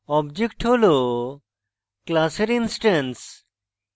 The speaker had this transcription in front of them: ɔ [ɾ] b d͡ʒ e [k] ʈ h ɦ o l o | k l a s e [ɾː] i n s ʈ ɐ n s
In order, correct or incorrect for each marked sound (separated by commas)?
incorrect, correct, incorrect